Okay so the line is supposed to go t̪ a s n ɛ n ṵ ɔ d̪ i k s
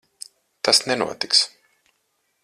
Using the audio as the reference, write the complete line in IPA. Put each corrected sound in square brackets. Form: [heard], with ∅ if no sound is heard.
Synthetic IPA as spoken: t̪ a s n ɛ n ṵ ɔ [t̪] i k s